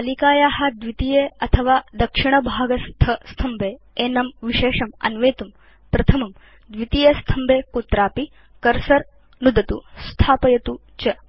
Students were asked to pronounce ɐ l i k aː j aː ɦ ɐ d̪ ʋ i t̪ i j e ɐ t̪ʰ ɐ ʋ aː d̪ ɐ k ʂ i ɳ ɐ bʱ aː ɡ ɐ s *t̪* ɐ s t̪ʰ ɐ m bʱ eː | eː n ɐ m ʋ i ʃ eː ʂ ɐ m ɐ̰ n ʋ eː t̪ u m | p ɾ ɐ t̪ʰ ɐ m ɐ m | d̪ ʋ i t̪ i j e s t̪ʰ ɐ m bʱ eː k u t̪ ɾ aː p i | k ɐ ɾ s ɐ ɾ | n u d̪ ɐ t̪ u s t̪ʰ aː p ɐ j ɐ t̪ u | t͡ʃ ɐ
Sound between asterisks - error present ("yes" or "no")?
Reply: yes